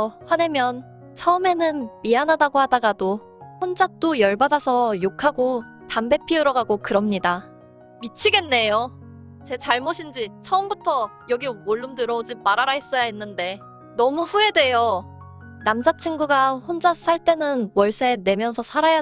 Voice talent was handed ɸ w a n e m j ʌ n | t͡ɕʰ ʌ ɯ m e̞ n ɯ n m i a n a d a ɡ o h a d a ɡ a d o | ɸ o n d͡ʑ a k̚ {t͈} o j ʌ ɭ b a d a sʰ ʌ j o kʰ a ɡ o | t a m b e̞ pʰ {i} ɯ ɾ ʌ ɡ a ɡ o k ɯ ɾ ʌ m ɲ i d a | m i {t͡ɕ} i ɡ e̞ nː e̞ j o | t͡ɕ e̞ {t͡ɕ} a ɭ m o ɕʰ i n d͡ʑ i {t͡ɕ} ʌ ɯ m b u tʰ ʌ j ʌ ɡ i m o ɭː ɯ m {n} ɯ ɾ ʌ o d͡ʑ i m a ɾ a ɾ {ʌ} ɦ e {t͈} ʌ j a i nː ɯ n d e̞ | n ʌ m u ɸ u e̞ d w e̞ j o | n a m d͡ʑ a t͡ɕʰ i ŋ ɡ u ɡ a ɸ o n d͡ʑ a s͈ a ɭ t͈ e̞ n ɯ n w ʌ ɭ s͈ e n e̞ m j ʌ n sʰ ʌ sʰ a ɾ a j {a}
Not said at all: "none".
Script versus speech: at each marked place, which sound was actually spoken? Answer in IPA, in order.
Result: t͈, i, t͡ɕʰ, t͡ɕ, t͡ɕʰ, d, a, s͈, a

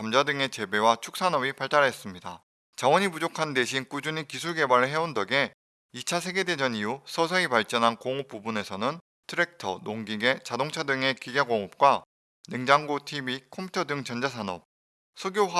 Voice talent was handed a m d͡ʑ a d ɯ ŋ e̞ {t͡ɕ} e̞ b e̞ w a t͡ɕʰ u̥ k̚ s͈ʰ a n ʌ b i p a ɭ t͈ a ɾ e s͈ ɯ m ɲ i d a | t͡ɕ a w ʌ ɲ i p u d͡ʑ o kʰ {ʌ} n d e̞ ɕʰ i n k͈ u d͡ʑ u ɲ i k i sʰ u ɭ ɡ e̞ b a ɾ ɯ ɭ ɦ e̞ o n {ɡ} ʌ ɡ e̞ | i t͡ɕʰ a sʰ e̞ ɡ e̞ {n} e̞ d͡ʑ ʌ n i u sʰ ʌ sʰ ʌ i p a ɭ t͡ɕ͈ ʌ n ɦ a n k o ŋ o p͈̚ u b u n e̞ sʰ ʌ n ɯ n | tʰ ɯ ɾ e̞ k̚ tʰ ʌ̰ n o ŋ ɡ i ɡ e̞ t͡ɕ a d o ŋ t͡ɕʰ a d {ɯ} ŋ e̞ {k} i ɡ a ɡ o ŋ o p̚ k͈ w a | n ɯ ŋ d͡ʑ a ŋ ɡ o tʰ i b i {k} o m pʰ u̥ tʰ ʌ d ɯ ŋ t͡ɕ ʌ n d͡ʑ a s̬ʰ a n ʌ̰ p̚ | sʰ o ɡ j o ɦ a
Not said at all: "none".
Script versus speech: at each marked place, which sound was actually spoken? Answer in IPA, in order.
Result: t͡ɕ, a, d, d, ɯ, k, kʰ

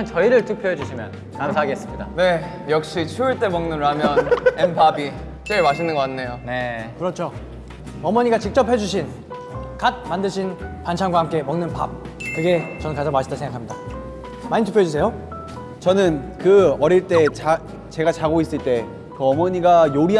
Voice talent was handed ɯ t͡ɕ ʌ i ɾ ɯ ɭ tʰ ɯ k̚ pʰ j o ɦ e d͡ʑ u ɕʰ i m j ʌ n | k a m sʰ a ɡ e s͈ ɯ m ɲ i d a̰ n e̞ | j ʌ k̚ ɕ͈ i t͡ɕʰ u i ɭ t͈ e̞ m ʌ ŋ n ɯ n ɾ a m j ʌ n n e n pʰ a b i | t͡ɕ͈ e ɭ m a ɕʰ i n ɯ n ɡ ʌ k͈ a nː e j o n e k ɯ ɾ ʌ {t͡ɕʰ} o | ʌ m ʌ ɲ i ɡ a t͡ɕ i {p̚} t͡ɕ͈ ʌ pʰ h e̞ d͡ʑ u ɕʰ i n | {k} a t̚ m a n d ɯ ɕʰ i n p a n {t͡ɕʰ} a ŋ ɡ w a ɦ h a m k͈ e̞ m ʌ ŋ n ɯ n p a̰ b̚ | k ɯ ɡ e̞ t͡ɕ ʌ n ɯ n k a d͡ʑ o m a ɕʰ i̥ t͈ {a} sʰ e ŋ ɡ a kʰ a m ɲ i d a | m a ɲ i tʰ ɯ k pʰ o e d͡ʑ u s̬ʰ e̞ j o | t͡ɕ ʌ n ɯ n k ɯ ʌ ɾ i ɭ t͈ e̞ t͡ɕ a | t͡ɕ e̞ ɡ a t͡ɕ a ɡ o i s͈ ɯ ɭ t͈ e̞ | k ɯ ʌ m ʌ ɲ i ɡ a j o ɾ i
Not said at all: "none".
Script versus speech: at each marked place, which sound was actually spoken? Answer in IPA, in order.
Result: t͡ɕʰ, k̚, k, t͡ɕʰ, a

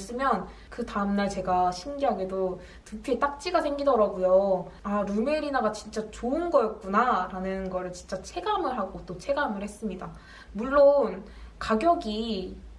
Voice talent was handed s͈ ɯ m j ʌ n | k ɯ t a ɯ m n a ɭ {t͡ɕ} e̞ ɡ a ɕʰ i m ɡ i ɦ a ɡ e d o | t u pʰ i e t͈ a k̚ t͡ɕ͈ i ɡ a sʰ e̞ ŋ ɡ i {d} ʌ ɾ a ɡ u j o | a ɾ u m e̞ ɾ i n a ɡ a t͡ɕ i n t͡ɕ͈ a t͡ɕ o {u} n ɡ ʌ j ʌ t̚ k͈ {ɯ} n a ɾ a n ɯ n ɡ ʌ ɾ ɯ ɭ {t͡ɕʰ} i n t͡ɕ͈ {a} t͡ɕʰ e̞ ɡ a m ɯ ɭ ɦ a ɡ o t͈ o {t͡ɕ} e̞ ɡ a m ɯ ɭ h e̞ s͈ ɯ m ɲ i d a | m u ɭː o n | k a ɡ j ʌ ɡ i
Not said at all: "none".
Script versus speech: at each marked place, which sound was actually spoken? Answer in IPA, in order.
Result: t͡ɕ, d, ɯ, u, t͡ɕ, a, t͡ɕʰ

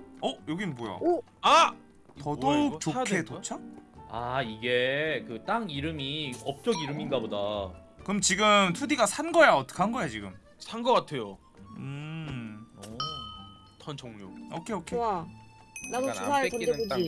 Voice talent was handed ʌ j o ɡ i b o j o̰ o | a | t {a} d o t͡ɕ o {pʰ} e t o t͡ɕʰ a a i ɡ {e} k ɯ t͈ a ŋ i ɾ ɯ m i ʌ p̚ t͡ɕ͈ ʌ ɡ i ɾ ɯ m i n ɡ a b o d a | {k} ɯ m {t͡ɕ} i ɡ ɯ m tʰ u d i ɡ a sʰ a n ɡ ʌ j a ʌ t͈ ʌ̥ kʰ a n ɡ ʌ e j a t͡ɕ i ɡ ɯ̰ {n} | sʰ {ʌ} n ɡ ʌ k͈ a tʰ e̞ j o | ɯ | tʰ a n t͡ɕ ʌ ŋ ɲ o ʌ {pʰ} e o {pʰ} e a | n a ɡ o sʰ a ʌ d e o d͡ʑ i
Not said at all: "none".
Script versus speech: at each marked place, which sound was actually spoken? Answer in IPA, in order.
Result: ʌ, kʰ, e, k, t͡ɕ, m, a, kʰ, kʰ

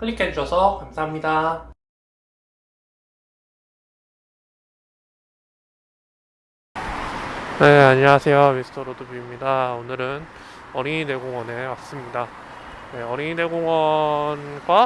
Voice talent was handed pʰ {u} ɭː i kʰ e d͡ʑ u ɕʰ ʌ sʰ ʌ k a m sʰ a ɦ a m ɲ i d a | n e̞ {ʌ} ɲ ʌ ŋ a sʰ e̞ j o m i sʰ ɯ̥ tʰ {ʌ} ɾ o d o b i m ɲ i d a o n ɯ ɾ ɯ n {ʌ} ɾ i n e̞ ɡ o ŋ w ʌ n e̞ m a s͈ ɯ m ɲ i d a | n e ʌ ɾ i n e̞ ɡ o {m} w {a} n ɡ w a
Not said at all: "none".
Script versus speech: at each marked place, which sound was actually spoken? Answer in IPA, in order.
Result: ɯ, a, ʌ, ʌ, ŋ, ʌ

